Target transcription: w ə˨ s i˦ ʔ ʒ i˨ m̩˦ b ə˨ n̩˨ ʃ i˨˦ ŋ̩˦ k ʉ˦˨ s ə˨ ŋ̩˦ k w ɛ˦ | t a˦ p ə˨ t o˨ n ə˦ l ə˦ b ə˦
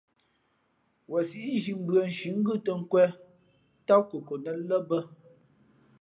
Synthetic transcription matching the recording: w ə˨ s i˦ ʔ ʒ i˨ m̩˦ b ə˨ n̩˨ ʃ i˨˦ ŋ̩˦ ɡ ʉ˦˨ t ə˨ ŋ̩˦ k w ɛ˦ | t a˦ k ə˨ k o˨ n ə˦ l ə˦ b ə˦